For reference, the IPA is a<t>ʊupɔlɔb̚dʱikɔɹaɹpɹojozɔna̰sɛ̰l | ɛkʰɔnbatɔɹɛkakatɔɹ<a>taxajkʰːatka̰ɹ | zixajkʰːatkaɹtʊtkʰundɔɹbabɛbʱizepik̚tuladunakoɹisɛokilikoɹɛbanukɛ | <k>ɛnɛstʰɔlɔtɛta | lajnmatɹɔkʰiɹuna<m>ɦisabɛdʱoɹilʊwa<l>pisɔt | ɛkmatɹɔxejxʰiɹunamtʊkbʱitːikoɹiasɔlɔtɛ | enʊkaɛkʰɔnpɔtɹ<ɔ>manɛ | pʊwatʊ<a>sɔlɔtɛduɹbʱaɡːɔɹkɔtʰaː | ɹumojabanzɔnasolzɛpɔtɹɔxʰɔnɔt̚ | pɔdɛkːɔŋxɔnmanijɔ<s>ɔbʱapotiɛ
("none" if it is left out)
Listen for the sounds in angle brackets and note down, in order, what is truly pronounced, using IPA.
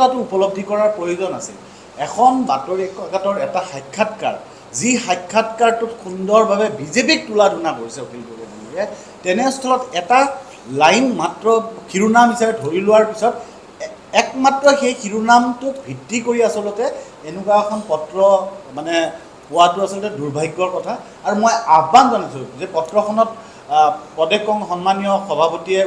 t, ɛ, t, m, ɹ, ɔ, a, x

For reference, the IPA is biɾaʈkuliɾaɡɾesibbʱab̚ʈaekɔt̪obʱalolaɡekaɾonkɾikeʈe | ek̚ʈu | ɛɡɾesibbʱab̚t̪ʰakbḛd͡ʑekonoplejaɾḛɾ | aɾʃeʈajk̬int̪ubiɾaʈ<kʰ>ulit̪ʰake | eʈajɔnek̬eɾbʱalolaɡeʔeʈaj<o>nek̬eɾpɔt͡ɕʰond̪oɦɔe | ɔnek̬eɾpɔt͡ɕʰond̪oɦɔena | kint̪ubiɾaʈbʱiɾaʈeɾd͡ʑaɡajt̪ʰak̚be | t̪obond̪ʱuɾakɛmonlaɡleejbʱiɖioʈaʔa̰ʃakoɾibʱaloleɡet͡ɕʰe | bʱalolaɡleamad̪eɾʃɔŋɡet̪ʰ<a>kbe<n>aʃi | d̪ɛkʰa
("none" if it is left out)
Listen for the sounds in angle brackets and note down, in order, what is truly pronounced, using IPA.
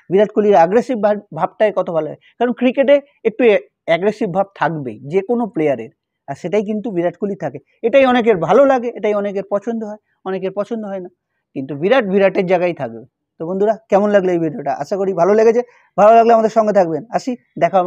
k, ɔ, a, n

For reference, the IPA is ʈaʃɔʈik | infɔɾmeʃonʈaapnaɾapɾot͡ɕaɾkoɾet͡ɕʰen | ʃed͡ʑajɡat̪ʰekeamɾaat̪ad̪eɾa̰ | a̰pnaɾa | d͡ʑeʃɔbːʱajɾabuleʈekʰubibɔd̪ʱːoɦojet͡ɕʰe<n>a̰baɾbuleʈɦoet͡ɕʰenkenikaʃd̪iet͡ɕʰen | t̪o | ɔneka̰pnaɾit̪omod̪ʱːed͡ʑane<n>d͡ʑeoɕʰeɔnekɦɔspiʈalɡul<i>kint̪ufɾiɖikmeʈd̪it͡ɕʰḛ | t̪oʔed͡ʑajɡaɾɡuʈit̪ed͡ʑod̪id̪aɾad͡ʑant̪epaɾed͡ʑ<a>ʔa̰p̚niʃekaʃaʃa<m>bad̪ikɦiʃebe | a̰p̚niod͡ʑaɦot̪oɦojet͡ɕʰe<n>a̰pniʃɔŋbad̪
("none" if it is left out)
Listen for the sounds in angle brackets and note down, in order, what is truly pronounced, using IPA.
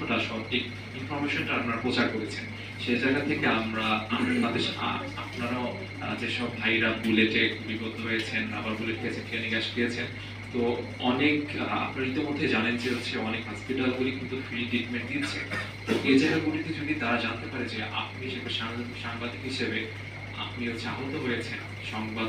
n, n, i, e, ŋ, n

